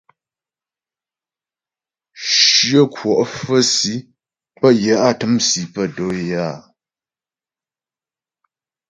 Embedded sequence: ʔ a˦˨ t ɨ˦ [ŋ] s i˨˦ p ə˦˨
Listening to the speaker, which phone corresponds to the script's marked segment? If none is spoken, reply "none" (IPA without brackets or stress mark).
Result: m